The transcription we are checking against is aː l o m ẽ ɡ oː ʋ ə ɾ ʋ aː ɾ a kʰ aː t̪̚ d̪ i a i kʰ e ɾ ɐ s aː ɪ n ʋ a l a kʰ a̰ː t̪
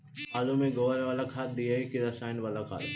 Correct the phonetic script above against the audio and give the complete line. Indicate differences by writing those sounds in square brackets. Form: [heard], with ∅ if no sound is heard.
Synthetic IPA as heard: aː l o m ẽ ɡ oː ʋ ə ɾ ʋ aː [l] a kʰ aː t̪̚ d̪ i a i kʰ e ɾ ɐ s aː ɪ n ʋ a l a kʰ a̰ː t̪